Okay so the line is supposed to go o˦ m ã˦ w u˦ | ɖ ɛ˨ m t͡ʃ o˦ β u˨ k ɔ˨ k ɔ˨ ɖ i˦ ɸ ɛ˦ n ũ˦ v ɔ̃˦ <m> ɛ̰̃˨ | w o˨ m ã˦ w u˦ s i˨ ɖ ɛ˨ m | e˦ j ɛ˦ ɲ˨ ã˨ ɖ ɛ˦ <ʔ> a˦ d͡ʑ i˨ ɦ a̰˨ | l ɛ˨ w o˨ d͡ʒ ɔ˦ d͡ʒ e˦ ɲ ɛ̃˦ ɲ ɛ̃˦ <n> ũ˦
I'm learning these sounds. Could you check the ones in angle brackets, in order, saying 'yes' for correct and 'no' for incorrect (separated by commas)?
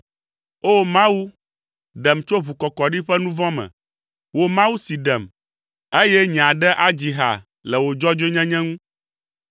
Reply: yes, yes, no